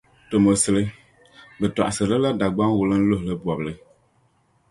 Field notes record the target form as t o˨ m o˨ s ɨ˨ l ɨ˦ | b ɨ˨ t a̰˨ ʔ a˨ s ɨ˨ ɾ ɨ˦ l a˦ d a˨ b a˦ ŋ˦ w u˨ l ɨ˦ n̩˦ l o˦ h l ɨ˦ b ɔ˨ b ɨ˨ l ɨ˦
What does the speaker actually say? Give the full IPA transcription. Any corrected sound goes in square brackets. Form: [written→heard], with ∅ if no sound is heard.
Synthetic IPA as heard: t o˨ m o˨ s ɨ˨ l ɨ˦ | b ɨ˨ t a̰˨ ʔ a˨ s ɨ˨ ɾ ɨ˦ l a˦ d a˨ [b→ɡ͡b] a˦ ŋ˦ w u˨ l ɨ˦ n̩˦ l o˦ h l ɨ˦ b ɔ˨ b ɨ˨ l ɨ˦